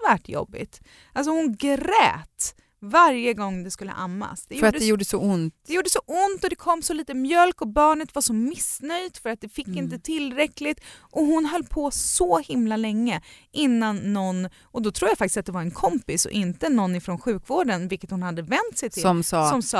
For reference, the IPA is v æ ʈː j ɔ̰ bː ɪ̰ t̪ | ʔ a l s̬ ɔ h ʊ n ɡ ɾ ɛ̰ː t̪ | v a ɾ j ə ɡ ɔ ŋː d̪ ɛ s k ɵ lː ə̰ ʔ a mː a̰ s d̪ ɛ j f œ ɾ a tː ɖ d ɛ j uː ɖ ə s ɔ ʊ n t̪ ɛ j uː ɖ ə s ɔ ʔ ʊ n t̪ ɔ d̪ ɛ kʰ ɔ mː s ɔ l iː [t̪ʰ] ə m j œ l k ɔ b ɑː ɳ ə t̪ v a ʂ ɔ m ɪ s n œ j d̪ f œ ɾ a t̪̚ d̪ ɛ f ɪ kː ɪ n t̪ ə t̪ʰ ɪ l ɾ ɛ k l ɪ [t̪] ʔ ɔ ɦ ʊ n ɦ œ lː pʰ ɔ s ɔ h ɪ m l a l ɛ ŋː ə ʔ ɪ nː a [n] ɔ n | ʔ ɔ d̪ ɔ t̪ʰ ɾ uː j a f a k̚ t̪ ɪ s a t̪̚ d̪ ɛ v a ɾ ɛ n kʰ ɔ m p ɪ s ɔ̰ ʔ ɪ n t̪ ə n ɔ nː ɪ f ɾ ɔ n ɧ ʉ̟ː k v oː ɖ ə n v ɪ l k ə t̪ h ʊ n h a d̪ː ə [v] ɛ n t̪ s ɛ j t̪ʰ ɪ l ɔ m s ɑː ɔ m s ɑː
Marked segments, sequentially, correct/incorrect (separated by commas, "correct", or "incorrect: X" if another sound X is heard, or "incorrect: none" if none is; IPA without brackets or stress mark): incorrect: t̪, correct, incorrect: nː, correct